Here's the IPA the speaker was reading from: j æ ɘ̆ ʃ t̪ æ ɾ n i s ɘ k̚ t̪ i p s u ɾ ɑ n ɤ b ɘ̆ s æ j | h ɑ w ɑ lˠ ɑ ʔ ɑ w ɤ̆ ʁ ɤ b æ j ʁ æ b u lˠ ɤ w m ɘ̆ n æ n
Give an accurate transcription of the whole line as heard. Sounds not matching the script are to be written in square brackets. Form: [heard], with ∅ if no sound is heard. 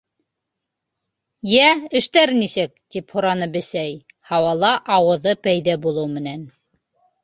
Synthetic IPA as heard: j æ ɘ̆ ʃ t̪ æ ɾ n i s ɘ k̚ t̪ i p [h] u ɾ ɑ n ɤ b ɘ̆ s æ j | h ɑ w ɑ lˠ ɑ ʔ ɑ w ɤ̆ [ð] ɤ [p] æ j [ð] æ b u lˠ ɤ w m ɘ̆ n æ n